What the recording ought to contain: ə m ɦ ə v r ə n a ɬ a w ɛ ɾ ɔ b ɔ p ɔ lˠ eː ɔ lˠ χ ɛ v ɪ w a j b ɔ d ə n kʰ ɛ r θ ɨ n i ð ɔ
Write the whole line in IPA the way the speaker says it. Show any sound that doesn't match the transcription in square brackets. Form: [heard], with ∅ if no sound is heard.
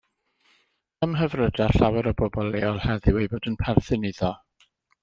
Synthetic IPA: ə m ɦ ə v r ə [d] a ɬ a w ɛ ɾ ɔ b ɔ [b] ɔ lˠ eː ɔ lˠ [h] ɛ [ð] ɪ w [e] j b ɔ d ə n [pʰ] ɛ r θ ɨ n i ð ɔ

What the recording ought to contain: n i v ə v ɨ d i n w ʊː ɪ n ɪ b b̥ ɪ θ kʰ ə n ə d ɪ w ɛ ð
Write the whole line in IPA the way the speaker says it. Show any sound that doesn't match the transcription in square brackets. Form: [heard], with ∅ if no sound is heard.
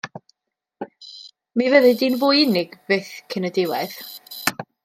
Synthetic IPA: [m] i v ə [ð] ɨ d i n [v] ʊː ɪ n ɪ [ɡ] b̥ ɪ θ kʰ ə n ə d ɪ w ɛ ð

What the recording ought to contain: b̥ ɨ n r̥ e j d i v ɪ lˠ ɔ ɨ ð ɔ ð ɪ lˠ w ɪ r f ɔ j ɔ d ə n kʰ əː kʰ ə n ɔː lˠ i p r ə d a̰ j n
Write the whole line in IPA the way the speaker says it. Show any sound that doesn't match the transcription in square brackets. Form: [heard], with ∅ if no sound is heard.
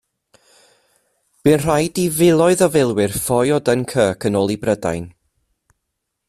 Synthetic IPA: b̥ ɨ n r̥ [a] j d i v ɪ lˠ ɔ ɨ ð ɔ [v] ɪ lˠ w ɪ r f ɔ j ɔ d ə n kʰ əː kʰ ə n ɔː lˠ i [b] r ə d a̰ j n

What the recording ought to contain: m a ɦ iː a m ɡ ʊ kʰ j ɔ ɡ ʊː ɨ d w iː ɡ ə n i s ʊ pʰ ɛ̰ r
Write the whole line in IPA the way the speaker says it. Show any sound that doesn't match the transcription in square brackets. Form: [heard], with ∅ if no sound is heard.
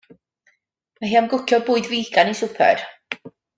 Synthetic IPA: m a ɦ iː a m ɡ ʊ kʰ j ɔ [b] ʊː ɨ d [v] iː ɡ [a] n i s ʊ pʰ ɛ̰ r

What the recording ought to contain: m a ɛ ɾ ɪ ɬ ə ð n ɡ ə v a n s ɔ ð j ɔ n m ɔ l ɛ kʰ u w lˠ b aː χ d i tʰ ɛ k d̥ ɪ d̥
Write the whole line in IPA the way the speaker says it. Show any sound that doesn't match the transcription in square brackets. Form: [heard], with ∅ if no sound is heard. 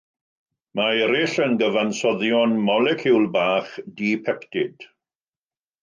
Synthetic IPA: m a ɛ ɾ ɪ ɬ ə [∅] n ɡ ə v a n s ɔ ð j ɔ n m ɔ l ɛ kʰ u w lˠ b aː χ d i [pʰ] ɛ k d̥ ɪ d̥

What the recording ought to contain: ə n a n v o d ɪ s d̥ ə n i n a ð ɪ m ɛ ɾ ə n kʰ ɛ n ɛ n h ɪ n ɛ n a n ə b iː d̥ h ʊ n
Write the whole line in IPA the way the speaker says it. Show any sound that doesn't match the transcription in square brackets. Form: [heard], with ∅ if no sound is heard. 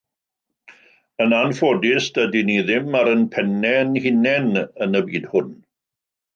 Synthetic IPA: ə n a n [f] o d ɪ s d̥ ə [d] i n [i] ð ɪ m [a] ɾ ə n [pʰ] ɛ n ɛ n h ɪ n ɛ n [ə] n ə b iː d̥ h ʊ n

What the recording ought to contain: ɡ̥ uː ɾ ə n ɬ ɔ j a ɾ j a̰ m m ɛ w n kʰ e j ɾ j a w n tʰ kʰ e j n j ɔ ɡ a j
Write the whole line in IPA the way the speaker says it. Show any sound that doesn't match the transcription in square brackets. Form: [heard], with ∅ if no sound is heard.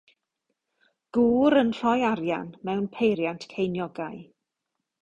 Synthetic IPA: ɡ̥ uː ɾ ə n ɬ ɔ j a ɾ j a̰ [n] m ɛ w n [pʰ] e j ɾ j a [∅] n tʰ kʰ e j n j ɔ ɡ a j

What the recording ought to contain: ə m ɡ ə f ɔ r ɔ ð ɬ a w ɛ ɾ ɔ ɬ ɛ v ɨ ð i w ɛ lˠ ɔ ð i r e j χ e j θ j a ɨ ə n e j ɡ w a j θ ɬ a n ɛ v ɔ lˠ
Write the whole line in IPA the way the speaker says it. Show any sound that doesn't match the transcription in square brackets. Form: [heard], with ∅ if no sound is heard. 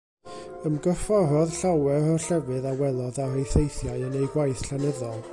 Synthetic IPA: ə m ɡ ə f ɔ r ɔ ð ɬ a w ɛ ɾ ɔ ɬ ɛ v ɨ ð [a] w ɛ lˠ ɔ ð [a] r e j [θ] e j θ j a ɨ ə n e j ɡ w a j θ ɬ a n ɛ [ð] ɔ lˠ

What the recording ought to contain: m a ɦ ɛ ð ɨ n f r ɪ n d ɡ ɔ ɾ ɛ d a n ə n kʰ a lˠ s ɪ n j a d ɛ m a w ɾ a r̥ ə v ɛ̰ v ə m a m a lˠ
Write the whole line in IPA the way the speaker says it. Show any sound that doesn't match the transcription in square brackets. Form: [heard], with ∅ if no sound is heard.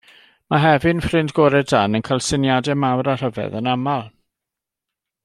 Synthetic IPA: m a ɦ ɛ [v] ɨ n f r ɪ n d ɡ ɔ ɾ ɛ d a n ə n kʰ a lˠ s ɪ n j a d ɛ m a w ɾ a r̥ ə v ɛ̰ [ð] ə [n] a m a lˠ

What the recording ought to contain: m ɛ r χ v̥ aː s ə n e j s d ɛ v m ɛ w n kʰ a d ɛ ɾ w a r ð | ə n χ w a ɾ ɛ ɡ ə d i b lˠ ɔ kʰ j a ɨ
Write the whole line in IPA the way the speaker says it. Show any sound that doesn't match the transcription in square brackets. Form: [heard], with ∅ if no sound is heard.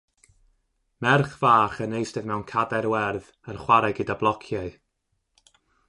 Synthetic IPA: m ɛ r χ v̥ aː [χ] ə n e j s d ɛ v m ɛ w n kʰ a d ɛ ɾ w [ɛ] r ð | ə n χ w a ɾ ɛ ɡ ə d [a] b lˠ ɔ kʰ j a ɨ

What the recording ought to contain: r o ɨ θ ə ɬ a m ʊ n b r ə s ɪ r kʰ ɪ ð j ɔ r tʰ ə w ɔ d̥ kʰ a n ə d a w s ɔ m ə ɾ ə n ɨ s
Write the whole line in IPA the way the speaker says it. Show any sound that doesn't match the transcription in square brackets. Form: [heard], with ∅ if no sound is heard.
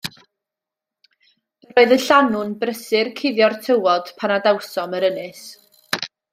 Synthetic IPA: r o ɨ [ð] ə ɬ a [n] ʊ n b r ə s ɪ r kʰ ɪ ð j ɔ r tʰ ə w ɔ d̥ [pʰ] a n [a] d a w s ɔ m ə ɾ ə n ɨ s

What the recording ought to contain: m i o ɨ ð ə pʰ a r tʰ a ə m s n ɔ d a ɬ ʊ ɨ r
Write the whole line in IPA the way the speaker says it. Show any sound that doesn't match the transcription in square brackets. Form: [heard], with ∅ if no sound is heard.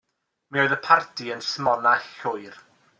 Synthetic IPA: m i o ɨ ð ə pʰ a r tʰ [i] ə [n] s [m] ɔ [n] a ɬ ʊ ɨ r

